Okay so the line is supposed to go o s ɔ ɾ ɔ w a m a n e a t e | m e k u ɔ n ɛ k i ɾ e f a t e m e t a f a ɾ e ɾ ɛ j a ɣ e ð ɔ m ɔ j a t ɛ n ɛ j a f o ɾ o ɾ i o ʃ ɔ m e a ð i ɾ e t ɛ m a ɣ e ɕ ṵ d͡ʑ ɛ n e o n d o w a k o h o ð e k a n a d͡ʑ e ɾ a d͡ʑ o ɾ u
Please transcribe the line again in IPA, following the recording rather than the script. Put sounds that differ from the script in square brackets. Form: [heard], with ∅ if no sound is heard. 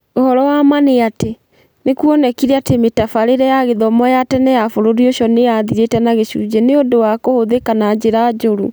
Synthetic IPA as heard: o [h] ɔ ɾ ɔ w a m a n e a t e | [n] e k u ɔ n ɛ k i ɾ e [∅] a t e m e t a f a ɾ e ɾ ɛ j a ɣ e ð ɔ m ɔ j a t ɛ n ɛ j a f o ɾ o ɾ i o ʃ ɔ [n] e a ð i ɾ e t ɛ [n] a ɣ e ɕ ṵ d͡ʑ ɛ n e o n d o w a k o h o ð e k a n a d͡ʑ e ɾ a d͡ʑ o ɾ u